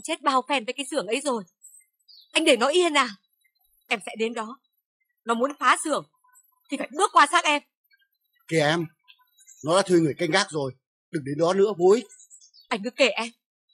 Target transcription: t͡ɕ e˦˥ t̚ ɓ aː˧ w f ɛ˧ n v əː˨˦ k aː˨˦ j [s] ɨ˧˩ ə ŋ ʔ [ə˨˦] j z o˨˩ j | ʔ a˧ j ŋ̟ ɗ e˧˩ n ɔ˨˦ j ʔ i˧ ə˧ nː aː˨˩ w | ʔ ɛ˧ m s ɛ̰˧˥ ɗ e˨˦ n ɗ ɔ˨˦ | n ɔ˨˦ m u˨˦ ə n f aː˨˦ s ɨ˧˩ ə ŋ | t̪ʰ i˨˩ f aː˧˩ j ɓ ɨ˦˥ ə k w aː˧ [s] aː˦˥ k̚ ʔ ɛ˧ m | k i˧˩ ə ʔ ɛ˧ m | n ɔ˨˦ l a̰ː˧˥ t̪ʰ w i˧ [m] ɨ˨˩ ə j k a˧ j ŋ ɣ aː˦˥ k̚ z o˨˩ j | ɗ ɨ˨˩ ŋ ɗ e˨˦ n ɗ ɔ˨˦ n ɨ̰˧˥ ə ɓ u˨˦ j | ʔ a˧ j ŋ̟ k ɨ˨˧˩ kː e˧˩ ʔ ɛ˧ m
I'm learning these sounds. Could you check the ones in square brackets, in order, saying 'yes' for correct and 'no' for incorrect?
yes, yes, yes, no

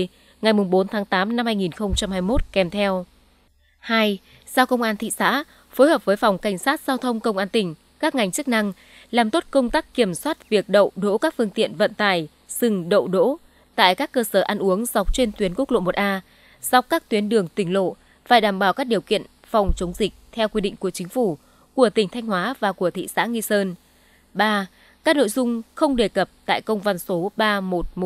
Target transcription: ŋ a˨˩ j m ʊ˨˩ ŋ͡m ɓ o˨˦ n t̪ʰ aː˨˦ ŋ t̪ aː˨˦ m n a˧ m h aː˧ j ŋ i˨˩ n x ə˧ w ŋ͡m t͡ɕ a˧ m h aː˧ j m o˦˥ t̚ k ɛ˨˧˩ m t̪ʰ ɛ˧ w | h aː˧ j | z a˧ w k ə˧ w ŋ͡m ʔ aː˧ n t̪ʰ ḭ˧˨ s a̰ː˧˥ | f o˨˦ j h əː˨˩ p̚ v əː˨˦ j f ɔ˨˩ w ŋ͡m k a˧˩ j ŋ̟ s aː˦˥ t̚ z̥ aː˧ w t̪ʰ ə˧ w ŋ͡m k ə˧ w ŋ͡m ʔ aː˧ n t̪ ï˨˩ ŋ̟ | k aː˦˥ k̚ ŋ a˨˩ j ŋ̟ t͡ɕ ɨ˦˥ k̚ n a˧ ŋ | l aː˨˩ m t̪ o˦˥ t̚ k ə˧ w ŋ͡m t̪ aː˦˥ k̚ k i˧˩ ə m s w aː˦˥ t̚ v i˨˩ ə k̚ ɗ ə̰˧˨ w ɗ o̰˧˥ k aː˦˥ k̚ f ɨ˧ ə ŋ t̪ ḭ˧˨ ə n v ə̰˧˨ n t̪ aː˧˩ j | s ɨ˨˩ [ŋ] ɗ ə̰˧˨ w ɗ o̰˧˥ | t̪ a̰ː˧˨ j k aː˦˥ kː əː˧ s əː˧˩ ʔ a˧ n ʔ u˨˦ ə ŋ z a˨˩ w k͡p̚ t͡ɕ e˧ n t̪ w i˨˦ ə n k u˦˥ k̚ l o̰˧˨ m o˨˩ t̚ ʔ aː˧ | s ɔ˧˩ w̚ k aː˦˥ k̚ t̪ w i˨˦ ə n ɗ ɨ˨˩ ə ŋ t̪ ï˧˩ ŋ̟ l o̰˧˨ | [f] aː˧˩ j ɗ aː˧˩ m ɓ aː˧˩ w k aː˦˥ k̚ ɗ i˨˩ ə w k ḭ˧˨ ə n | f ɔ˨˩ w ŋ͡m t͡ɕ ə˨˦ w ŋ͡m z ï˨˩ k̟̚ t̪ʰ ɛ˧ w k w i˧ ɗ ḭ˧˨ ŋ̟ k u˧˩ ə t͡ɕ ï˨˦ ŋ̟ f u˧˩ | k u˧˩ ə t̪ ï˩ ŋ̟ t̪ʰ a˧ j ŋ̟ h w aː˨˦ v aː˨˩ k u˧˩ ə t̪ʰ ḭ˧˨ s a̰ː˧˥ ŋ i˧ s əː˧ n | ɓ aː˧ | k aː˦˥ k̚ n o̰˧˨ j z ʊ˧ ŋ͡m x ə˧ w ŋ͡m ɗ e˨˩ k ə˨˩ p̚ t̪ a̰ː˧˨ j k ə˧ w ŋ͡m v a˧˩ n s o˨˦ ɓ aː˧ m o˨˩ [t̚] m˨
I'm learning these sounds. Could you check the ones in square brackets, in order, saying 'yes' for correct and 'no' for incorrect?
yes, yes, yes

